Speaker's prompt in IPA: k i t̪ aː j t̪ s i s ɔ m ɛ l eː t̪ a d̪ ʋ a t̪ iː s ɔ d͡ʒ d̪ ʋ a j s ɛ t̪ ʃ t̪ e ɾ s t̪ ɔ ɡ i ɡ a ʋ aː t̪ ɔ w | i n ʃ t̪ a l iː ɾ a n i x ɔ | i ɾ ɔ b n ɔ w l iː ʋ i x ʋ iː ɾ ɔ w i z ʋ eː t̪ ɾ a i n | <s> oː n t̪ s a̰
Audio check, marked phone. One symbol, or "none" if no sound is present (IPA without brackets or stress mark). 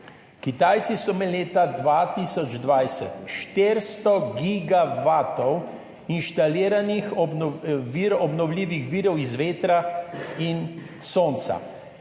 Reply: s